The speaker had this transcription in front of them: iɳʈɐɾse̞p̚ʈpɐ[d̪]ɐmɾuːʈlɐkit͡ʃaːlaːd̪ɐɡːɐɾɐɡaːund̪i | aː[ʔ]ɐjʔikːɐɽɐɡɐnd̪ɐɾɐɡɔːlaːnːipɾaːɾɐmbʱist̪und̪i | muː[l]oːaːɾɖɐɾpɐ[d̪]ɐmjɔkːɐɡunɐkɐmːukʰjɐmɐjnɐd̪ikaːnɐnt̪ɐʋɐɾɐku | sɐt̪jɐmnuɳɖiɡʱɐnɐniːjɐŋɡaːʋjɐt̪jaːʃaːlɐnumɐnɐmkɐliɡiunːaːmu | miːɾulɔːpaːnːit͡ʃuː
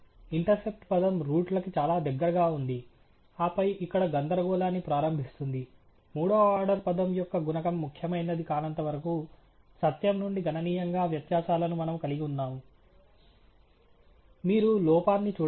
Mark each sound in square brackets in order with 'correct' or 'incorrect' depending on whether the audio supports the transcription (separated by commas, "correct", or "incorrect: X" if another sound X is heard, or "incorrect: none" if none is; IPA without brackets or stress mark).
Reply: correct, incorrect: p, incorrect: ɽ, correct